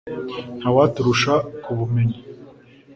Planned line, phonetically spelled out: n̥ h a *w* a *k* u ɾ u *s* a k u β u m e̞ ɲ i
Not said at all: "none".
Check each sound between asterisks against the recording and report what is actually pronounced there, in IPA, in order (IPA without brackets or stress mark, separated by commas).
w, t, ʃ